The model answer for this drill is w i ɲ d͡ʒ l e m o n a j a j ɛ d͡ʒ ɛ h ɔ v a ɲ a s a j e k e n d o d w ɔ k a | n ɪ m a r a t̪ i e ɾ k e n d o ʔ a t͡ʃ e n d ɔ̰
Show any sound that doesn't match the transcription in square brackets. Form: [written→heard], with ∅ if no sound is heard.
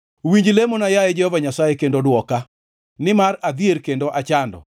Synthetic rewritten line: w i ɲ d͡ʒ l e m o n a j a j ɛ d͡ʒ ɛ h ɔ v a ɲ a s a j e k e n d o d w ɔ k a | n ɪ m a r a [t̪→d̪] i e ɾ k e n d o ʔ a t͡ʃ [e→a] n d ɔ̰